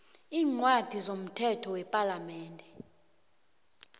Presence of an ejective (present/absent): present